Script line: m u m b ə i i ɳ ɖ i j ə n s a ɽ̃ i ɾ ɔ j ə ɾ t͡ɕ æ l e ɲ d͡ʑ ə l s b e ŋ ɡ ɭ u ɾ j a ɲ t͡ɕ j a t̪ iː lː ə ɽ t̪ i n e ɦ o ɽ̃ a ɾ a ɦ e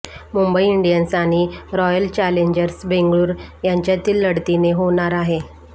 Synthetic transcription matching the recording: m u m b ə i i ɳ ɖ i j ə n s a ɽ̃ i ɾ ɔ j ə l t͡ɕ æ l e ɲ d͡ʑ ə ɾ s b e ŋ ɡ ɭ uː ɾ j a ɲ t͡ɕ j a t̪ iː lː ə ɽ t̪ i n e ɦ o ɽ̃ a ɾ a ɦ e

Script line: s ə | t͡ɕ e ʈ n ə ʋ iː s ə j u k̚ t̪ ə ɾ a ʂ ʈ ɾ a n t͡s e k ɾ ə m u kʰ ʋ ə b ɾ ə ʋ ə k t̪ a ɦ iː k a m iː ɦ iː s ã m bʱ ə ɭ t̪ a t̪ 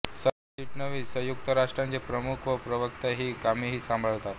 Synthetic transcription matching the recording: s ə | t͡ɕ i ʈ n ə ʋ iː s ə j u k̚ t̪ ə ɾ a ʂ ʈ ɾ a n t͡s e p ɾ ə m u kʰ ʋ ə p ɾ ə ʋ ə k t̪ a ɦ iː k a m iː ɦ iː s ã m bʱ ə ɭ t̪ a t̪

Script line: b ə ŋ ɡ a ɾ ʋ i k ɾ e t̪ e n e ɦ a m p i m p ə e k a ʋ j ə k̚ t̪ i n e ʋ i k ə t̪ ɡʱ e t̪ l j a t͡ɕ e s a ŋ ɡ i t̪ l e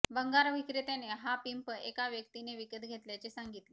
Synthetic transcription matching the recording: b ə ŋ ɡ a ɾ ʋ i k ɾ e t̪ e n e ɦ a p i m p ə e k a ʋ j ə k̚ t̪ i n e ʋ i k ə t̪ ɡʱ e t̪ l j a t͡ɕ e s a ŋ ɡ i t̪ l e

